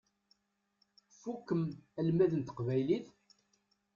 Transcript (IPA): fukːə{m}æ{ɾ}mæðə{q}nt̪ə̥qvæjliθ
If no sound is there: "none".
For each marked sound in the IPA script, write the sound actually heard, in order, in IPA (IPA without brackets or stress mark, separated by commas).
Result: m, l, none